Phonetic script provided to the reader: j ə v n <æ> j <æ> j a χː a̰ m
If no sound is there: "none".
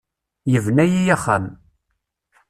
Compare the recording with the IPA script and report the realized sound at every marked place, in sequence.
æ, i

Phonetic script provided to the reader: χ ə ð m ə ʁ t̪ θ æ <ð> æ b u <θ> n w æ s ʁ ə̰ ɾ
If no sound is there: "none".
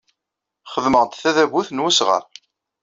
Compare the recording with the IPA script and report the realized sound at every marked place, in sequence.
ð, θ

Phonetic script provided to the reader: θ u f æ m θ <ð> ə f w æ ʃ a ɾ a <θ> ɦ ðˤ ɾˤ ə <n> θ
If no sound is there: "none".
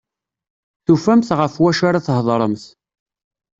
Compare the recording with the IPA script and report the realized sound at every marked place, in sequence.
ʁ, θ, m

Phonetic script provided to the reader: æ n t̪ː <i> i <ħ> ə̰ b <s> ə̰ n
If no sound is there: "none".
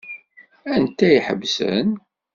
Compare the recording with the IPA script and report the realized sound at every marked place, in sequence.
æ, ħ, s

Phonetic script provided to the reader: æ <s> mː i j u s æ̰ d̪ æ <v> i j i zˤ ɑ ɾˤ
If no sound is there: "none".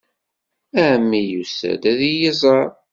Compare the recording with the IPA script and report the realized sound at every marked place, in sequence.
none, ð

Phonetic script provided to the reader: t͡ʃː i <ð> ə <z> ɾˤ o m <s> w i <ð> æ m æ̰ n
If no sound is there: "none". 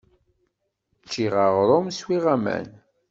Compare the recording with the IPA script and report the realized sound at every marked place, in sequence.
ʁ, ʁ, s, ʁ

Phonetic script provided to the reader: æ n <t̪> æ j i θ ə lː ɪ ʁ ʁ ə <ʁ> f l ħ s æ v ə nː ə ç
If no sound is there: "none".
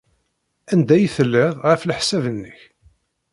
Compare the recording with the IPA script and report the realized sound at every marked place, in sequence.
d̪, none

